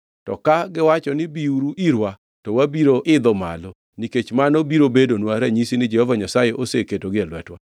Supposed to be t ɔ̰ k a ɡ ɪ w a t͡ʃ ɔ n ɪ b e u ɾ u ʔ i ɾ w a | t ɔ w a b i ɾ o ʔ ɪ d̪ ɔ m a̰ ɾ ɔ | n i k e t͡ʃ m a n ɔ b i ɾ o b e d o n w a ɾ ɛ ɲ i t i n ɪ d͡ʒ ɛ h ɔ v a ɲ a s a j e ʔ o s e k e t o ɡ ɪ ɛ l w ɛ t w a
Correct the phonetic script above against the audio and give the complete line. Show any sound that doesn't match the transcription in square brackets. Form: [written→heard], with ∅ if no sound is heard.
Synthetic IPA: t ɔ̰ k a ɡ ɪ w a t͡ʃ ɔ n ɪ b [e→i] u ɾ u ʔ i ɾ w a | t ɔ w a b i ɾ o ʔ ɪ d̪ ɔ m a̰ [ɾ→l] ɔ | n i k e t͡ʃ m a n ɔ b i ɾ o b e d o n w a ɾ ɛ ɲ i [t→s] i n ɪ d͡ʒ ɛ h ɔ v a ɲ a s a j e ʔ o s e k e t o ɡ ɪ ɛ l w ɛ t w a